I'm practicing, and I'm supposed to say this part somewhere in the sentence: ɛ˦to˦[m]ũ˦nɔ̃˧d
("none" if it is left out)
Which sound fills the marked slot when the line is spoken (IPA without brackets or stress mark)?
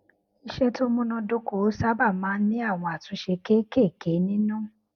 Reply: m